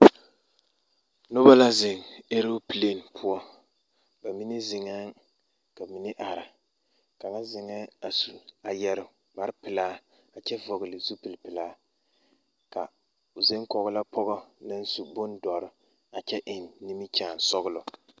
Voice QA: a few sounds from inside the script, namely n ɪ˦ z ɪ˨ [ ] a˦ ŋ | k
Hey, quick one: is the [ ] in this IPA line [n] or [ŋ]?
ŋ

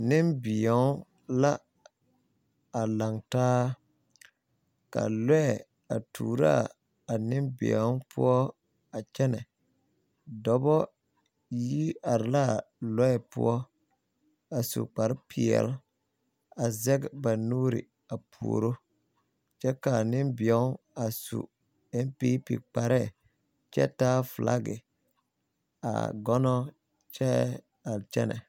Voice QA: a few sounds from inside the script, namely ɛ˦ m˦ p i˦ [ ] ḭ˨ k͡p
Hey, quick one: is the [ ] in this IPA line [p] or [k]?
p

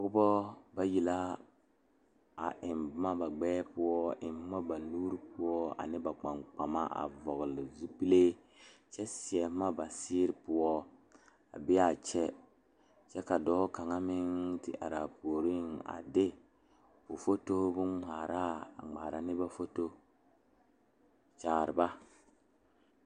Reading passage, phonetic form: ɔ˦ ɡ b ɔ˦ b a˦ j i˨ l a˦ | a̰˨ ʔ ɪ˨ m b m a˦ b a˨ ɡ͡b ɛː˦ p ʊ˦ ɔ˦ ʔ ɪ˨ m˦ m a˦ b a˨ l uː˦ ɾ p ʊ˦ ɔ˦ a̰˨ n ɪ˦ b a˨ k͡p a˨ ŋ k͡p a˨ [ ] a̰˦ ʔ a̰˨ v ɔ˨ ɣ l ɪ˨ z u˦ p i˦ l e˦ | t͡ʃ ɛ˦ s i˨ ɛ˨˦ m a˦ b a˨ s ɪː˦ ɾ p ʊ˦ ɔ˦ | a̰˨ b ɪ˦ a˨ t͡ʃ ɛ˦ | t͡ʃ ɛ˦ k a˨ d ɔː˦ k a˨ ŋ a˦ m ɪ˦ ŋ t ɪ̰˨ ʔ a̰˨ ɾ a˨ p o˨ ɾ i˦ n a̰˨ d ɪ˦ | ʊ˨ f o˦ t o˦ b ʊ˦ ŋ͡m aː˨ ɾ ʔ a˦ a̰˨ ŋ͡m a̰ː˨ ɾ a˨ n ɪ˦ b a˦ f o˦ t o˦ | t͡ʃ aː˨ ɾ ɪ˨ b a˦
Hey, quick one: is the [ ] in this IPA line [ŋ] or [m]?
m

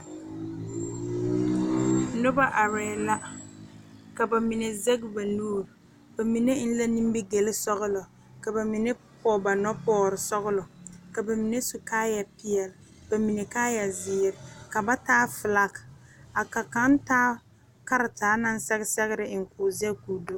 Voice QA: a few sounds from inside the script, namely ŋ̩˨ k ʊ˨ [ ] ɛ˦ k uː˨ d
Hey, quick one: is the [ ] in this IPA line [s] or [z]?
z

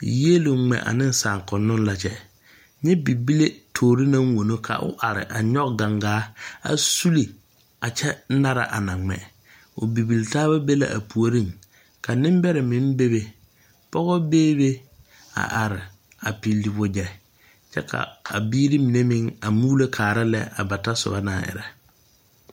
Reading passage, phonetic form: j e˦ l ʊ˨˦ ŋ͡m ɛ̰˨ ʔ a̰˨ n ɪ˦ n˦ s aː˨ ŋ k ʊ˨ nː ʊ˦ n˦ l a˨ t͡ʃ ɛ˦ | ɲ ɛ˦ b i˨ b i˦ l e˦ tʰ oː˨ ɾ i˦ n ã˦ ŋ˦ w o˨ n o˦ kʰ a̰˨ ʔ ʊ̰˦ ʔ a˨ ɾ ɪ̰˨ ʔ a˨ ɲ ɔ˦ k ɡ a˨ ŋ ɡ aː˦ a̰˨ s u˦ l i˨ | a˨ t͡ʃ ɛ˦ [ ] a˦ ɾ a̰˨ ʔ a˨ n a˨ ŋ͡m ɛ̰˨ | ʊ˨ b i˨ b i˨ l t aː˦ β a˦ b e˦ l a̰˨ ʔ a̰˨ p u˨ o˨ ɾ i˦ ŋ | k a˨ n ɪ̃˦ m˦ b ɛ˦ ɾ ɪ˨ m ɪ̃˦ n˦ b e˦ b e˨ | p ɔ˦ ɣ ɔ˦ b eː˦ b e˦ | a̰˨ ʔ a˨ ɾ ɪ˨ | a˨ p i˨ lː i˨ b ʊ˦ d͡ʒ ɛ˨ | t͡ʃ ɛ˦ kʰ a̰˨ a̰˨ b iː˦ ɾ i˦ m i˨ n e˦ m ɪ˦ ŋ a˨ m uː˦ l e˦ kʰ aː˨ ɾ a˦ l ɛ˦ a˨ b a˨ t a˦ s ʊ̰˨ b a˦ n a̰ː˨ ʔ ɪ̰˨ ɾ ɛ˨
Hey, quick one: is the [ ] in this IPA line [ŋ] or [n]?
n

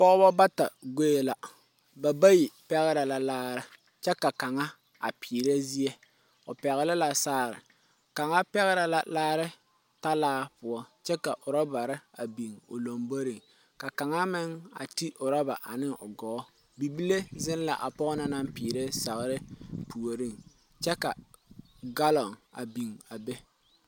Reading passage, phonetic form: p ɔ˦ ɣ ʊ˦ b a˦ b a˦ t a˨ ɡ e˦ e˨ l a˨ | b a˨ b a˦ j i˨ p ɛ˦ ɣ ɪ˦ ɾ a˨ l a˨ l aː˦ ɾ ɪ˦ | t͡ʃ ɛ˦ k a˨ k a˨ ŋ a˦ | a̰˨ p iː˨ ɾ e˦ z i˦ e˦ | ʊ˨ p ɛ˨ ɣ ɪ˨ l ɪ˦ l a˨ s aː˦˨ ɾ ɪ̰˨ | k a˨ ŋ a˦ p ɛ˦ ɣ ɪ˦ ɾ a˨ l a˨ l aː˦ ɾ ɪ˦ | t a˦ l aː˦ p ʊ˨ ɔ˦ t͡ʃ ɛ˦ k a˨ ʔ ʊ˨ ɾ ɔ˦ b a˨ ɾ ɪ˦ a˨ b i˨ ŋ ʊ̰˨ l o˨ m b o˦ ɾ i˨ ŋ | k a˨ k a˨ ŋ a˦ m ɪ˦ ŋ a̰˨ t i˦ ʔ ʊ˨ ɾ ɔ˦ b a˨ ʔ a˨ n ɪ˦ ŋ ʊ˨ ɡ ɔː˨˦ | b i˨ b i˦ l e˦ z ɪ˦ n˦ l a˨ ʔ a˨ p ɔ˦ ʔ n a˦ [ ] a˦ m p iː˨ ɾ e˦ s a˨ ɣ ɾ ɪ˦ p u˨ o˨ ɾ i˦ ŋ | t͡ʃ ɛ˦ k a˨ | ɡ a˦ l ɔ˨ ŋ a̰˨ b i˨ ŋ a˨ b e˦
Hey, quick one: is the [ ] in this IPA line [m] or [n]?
n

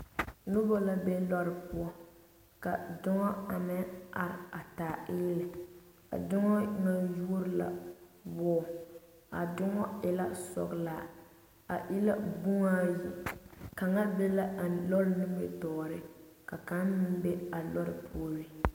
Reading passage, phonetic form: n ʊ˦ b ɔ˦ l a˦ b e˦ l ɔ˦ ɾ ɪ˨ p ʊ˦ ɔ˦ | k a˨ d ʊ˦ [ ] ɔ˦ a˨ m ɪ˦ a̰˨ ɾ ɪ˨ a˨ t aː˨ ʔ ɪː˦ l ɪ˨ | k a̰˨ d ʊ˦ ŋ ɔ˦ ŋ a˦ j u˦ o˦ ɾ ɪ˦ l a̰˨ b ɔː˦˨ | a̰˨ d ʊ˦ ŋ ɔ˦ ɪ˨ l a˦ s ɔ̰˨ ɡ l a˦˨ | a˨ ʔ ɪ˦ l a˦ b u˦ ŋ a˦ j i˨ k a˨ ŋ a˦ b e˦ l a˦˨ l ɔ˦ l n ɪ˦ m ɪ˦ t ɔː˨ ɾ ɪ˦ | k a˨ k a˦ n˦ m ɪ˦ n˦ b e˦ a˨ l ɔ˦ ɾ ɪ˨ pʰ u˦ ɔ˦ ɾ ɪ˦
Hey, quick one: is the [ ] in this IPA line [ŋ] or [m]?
ŋ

